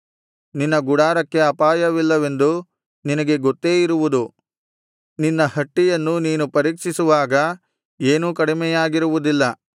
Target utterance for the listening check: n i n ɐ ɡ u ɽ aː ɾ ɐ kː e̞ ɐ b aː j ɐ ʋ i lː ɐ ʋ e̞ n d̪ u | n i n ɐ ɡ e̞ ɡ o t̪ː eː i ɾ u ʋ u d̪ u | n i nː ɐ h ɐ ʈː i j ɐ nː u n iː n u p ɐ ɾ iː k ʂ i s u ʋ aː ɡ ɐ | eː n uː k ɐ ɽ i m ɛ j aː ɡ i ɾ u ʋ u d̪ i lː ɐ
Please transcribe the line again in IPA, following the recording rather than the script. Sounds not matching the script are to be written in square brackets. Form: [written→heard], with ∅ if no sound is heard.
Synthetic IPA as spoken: n i [n→nː] ɐ ɡ u ɽ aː ɾ ɐ kː e̞ ɐ [b→p] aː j ɐ ʋ i lː ɐ ʋ e̞ n d̪ u | n i n ɐ ɡ e̞ ɡ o t̪ː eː i ɾ u ʋ u d̪ u | n i nː ɐ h ɐ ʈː i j ɐ nː u n iː n u p ɐ ɾ iː k ʂ i s u ʋ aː ɡ ɐ | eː n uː k ɐ ɽ i m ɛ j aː ɡ i ɾ u ʋ u d̪ i lː ɐ